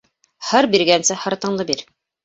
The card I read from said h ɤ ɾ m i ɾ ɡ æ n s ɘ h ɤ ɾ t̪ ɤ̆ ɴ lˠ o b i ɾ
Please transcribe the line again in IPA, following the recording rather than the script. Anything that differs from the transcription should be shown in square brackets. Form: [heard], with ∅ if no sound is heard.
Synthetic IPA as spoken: h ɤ ɾ [b] i ɾ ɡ æ n s ɘ h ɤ ɾ t̪ ɤ̆ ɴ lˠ [ɤ] b i ɾ

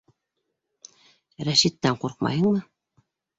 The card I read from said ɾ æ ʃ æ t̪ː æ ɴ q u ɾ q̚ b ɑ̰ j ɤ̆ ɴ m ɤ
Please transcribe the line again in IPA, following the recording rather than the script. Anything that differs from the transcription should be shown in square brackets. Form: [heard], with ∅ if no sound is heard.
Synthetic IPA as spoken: ɾ æ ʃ [i] t̪ː æ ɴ q u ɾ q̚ [m] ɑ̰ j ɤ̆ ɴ m ɤ

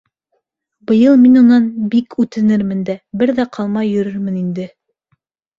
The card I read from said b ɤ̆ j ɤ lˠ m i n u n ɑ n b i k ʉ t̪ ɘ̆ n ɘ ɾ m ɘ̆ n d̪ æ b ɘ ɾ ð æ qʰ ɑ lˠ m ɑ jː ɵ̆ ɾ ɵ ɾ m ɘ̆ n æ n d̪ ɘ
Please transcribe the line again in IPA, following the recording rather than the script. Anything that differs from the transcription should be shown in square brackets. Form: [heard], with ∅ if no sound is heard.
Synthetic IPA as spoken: b ɤ̆ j ɤ lˠ m i n u n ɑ n b i k ʉ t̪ ɘ̆ n ɘ ɾ m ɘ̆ n d̪ æ b ɘ ɾ ð æ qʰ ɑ lˠ m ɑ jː ɵ̆ ɾ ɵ ɾ m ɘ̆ n [i] n d̪ ɘ

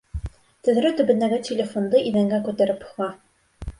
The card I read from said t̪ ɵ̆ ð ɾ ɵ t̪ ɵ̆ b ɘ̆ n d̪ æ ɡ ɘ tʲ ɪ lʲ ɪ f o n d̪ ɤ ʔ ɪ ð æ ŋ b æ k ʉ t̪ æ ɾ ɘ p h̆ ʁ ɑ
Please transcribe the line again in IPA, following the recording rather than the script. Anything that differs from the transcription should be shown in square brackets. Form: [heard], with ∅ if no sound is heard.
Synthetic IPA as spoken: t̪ ɵ̆ ð ɾ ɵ t̪ ɵ̆ b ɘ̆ n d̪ æ ɡ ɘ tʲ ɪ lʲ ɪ f o n d̪ ɤ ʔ [i] ð æ ŋ [ɡ] æ k ʉ t̪ æ ɾ ɘ p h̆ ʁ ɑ

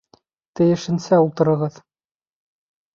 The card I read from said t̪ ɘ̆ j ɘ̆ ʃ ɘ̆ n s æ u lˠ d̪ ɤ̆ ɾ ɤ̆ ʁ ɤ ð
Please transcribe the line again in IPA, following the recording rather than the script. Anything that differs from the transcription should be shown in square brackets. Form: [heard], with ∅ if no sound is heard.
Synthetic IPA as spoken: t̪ ɘ̆ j ɘ̆ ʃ ɘ̆ n s æ u lˠ [t̪] ɤ̆ ɾ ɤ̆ ʁ ɤ ð

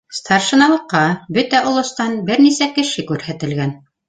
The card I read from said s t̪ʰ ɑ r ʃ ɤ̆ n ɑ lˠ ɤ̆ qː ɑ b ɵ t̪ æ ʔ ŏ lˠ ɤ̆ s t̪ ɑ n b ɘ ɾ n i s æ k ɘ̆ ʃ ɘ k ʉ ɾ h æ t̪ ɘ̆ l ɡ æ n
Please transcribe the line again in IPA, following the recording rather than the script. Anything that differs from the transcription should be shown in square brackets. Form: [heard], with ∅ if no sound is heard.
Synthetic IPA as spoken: s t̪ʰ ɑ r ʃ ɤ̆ n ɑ lˠ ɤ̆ qː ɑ b ɵ t̪ æ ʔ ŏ lˠ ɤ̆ s t̪ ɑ n b ɘ ɾ n i s æ k ɘ̆ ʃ ɘ k ʉ ɾ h æ t̪ ɘ̆ l ɡ æ n

